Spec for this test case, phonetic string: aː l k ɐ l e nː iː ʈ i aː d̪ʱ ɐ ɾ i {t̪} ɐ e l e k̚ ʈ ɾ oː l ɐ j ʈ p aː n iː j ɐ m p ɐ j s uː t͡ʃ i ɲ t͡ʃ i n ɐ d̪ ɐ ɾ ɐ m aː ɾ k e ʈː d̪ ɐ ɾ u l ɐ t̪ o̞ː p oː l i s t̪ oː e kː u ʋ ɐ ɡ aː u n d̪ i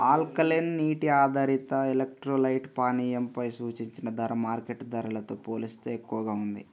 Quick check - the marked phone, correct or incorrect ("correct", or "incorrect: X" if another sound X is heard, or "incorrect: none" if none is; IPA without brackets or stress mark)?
correct